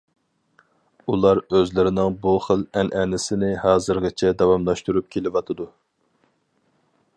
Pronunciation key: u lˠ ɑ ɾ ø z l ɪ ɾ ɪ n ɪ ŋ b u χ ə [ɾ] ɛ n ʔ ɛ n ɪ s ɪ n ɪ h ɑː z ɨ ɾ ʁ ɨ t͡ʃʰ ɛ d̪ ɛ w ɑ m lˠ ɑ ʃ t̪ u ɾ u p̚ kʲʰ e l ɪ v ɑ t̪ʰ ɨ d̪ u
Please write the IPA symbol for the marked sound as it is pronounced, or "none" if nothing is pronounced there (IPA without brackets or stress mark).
l